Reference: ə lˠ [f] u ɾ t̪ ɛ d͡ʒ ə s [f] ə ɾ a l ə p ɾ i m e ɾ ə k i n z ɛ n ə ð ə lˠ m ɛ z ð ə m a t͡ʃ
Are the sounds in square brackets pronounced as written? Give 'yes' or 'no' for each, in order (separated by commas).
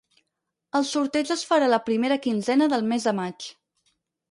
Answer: no, yes